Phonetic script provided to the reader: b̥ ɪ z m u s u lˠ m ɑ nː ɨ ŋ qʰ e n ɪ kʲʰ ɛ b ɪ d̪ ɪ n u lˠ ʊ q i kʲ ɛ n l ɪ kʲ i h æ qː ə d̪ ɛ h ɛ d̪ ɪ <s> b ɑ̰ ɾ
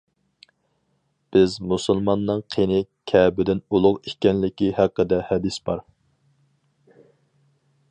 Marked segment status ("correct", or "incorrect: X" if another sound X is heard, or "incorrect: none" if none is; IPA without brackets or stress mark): correct